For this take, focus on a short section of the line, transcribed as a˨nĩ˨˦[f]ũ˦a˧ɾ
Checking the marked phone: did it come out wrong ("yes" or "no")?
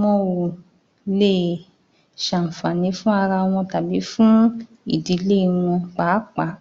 no